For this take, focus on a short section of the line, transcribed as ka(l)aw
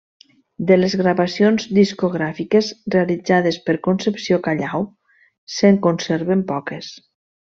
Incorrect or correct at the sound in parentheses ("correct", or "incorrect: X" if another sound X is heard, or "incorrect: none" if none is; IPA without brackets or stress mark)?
incorrect: ʎ